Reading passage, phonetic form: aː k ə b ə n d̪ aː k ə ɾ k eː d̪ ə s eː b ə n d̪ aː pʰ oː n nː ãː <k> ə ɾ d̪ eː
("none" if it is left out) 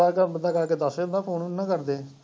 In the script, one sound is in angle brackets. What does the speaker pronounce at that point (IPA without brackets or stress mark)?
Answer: k